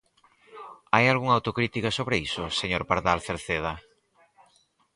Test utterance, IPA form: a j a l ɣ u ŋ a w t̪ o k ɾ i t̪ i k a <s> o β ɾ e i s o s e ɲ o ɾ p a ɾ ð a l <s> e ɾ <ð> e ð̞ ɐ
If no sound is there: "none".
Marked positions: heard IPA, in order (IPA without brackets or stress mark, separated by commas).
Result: s, θ, θ